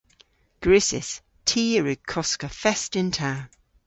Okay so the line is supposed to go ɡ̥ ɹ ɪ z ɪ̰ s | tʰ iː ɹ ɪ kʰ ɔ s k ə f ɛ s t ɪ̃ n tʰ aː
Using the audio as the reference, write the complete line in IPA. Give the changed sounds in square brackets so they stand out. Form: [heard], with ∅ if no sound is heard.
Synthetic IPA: ɡ̥ ɹ ɪ [s] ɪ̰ s | tʰ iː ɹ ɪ kʰ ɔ s k ə f ɛ s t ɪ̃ n tʰ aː